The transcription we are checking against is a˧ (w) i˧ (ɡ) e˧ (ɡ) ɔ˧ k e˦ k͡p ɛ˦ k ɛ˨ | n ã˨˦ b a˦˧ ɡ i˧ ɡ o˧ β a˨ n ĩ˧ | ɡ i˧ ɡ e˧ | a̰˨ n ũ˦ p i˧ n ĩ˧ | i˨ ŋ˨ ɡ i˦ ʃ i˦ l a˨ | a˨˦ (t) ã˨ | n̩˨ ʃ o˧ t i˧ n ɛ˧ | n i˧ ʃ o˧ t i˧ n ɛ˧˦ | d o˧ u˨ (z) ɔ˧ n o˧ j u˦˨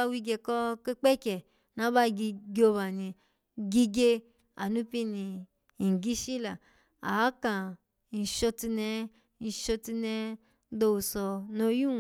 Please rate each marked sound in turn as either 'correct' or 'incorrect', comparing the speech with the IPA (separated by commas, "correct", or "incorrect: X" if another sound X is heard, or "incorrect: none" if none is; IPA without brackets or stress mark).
correct, correct, incorrect: k, incorrect: k, incorrect: s